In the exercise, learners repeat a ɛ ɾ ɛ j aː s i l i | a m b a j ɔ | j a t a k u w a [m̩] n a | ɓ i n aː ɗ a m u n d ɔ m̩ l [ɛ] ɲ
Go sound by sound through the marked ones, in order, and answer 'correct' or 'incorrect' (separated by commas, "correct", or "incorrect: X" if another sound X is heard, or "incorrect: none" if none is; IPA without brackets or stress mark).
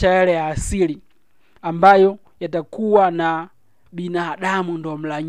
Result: incorrect: none, incorrect: a